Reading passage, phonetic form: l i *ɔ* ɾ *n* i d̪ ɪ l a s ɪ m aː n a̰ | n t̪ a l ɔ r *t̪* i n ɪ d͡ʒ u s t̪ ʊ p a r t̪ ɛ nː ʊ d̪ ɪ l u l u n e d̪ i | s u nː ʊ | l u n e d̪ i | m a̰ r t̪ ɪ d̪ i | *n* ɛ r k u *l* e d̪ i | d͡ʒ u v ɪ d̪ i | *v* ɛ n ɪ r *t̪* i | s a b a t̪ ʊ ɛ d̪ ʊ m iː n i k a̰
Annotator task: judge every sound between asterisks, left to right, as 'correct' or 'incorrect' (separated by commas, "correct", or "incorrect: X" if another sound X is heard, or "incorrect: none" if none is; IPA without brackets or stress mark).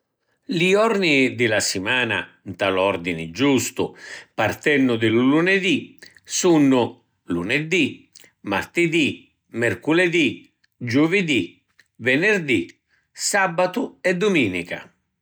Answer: correct, correct, incorrect: d̪, incorrect: m, correct, correct, incorrect: d̪